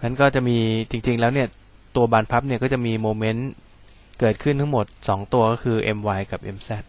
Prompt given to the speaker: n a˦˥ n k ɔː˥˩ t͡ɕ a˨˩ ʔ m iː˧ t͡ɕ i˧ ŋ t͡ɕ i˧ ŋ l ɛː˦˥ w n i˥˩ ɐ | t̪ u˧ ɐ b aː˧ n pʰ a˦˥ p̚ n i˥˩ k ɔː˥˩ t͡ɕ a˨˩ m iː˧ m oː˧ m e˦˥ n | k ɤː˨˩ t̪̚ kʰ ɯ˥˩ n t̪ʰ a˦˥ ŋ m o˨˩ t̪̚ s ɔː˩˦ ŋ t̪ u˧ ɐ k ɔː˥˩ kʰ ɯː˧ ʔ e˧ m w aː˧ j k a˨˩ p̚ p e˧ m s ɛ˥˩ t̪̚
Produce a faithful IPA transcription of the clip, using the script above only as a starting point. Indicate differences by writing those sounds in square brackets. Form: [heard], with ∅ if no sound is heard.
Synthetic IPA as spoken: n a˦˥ n k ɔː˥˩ t͡ɕ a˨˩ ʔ m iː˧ t͡ɕ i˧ ŋ t͡ɕ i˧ ŋ l ɛː˦˥ w n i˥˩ ɐ | t̪ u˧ ɐ b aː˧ n pʰ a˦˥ p̚ n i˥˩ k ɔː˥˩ t͡ɕ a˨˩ m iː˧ m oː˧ m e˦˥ n | k ɤː˨˩ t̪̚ kʰ ɯ˥˩ n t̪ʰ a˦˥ ŋ m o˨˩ t̪̚ s ɔː˩˦ ŋ t̪ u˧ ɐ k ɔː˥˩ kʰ ɯː˧ ʔ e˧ m w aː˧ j k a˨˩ p̚ [ʔ] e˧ m s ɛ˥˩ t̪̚

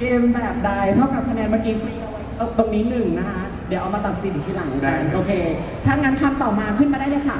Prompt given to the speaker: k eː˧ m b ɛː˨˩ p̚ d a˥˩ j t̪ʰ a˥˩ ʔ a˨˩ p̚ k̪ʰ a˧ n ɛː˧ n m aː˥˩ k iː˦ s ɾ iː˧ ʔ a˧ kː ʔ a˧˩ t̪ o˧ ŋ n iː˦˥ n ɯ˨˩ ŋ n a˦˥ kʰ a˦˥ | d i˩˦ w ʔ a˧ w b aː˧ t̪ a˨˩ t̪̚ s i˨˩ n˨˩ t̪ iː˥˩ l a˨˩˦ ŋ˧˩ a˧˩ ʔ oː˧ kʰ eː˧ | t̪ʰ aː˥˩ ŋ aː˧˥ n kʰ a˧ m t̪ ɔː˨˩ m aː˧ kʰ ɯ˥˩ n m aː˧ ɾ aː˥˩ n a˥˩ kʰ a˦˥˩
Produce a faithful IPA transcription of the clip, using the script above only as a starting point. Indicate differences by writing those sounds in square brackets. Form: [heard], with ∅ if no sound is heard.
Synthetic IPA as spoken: k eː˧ m b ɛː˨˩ p̚ d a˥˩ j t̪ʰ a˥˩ [k] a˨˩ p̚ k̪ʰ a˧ n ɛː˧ n m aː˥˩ k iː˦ [f] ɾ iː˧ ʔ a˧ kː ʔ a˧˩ t̪ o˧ ŋ n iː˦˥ n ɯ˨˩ ŋ n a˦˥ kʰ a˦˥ | d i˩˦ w ʔ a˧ w [m] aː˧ t̪ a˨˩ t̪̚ s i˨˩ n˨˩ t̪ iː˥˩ l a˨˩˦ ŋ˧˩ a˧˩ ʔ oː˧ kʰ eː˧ | t̪ʰ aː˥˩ ŋ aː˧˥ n kʰ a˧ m t̪ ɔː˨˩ m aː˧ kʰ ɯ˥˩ n m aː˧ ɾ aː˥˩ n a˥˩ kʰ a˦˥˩

